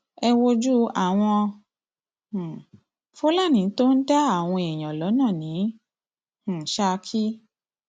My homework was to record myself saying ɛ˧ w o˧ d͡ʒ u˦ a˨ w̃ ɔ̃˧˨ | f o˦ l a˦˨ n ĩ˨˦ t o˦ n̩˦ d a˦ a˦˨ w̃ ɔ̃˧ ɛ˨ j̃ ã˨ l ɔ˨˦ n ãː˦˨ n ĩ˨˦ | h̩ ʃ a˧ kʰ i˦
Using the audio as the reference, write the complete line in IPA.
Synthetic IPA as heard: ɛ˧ w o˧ d͡ʒ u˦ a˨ w̃ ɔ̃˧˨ | f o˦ l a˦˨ n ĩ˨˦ t o˦ n̩˦ d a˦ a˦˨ w̃ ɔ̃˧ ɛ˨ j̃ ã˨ l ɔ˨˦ n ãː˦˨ n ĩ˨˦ | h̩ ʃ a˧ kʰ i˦